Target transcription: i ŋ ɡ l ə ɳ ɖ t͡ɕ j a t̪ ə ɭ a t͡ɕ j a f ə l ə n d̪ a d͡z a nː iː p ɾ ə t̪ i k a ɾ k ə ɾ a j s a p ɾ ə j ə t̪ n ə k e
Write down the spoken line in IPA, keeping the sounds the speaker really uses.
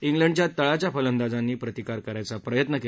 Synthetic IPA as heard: i ŋ ɡ l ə ɳ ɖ t͡ɕ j a t̪ ə ɭ a t͡ɕ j a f ə l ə n d̪ a d͡z a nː iː p ɾ ə t̪ i k a ɾ k ə ɾ a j t͡s a p ɾ ə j ə t̪ n ə k e